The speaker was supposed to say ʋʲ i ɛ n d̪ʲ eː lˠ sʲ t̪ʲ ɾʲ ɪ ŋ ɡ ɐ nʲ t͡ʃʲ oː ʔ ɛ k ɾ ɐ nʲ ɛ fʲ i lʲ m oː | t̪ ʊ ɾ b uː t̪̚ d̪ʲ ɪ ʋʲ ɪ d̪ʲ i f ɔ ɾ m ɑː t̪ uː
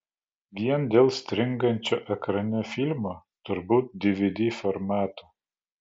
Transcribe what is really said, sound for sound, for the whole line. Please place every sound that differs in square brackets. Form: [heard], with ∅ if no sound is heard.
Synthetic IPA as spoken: ʋʲ i ɛ n d̪ʲ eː lˠ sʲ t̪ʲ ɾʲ ɪ ŋ ɡ ɐ nʲ t͡ʃʲ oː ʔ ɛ k ɾ ɐ nʲ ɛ fʲ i lʲ m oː | t̪ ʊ ɾ b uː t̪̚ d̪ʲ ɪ ʋʲ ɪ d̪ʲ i f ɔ ɾ m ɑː t̪ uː